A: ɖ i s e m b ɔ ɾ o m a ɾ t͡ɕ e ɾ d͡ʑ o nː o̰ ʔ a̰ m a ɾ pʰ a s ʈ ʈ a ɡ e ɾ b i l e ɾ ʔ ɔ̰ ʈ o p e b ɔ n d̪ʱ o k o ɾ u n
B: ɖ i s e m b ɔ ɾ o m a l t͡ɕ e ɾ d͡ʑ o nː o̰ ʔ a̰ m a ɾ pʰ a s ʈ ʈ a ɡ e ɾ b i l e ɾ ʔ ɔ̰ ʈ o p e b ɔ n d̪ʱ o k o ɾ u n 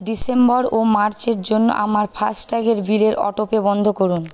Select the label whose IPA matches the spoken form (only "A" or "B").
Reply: A